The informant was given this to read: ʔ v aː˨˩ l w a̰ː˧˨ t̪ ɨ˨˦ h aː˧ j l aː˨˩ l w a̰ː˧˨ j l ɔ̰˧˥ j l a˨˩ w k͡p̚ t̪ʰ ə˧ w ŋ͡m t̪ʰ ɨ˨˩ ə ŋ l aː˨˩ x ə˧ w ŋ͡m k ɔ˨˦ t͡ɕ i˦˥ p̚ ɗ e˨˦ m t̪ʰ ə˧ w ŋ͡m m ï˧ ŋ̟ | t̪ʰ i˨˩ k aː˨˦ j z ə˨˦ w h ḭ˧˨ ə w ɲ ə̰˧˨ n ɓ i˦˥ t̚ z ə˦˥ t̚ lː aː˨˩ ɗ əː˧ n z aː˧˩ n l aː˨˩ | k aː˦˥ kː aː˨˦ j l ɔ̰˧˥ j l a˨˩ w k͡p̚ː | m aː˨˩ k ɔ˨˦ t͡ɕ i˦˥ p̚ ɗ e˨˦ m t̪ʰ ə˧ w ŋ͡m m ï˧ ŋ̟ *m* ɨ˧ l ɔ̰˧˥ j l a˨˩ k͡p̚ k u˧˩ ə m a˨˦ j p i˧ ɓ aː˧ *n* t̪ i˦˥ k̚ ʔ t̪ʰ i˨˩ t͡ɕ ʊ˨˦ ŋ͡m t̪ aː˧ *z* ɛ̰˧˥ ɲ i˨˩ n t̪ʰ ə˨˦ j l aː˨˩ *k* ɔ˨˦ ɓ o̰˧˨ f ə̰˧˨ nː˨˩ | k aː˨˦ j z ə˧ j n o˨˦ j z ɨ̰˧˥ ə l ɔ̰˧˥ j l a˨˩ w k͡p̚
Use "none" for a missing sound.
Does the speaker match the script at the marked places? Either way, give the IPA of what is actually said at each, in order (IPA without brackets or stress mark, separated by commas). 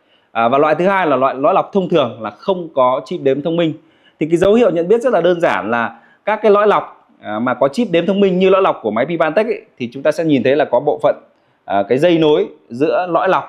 ɲ, n, s, k